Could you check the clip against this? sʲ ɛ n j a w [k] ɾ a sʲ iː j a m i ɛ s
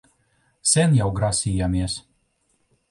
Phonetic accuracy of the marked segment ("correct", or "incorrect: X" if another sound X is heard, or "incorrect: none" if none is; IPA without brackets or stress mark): incorrect: ɡ